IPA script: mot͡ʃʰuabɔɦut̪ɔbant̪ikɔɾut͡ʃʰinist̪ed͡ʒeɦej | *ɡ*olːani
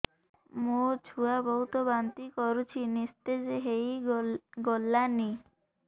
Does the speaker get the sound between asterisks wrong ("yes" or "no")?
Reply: no